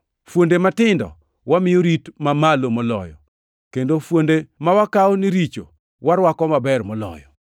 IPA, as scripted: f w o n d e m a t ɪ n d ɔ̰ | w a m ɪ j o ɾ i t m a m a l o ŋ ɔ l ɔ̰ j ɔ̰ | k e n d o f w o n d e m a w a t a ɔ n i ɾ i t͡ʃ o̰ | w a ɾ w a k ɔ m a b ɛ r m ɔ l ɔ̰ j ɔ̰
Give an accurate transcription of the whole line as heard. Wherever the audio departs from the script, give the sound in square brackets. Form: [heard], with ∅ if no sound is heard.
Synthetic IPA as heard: f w o n d e m a t ɪ n d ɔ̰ | w a m ɪ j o ɾ i t m a m a l o [m] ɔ l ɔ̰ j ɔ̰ | k e n d o f w o n d e m a w a [k] a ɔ n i ɾ i t͡ʃ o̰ | w a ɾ w a k ɔ m a b ɛ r m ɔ l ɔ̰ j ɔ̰

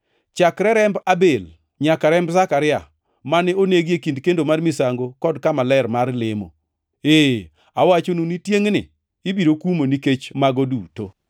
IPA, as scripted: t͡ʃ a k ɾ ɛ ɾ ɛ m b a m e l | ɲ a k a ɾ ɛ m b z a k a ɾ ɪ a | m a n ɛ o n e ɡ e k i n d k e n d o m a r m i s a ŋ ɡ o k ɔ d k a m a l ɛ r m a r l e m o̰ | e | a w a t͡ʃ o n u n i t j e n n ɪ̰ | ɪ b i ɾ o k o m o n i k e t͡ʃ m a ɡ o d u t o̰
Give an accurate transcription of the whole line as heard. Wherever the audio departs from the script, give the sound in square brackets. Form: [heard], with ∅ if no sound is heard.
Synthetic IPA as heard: t͡ʃ a k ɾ ɛ ɾ ɛ m b a [b] e l | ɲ a k a ɾ ɛ m b z a k a ɾ ɪ a | m a n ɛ o n e ɡ e k i n d k e n d o m a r m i s a ŋ ɡ o k ɔ d k a m a l ɛ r m a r l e m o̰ | e | a w a t͡ʃ o n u n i t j e [ŋ] n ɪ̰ | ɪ b i ɾ o k [u] m o n i k e t͡ʃ m a ɡ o d u t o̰

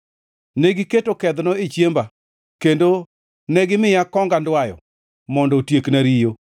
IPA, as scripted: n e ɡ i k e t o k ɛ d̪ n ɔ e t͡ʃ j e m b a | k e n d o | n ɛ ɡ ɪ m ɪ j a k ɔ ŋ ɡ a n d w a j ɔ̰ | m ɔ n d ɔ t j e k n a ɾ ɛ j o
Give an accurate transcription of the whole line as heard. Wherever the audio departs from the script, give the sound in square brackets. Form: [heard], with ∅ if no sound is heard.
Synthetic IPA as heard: n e ɡ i k e t o k ɛ d̪ n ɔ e t͡ʃ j e m b a | k e n d o | n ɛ ɡ ɪ m ɪ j a k ɔ ŋ ɡ a n d w a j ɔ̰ | m ɔ n d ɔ t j e k n a ɾ [i] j o

